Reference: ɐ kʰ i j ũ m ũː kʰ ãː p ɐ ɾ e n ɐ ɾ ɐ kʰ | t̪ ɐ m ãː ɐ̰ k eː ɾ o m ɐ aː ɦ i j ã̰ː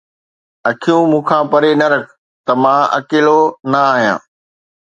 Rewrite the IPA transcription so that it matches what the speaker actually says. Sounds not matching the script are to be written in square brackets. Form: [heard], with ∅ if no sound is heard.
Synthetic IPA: ɐ kʰ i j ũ m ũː kʰ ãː p ɐ ɾ e n ɐ ɾ ɐ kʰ | t̪ ɐ m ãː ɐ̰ k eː [l] o [n] ɐ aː ɦ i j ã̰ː